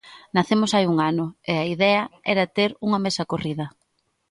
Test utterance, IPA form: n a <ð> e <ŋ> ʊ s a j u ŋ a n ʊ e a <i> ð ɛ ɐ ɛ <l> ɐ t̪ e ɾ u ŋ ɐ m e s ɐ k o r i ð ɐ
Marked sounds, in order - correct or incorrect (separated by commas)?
incorrect, incorrect, correct, incorrect